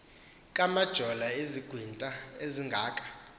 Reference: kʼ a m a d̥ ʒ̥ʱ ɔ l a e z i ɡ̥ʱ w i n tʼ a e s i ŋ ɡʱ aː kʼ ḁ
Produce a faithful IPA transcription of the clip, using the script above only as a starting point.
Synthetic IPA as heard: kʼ a m a d̥ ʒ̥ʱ ɔ l a e z i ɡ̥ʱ w i n tʼ a e z i ŋ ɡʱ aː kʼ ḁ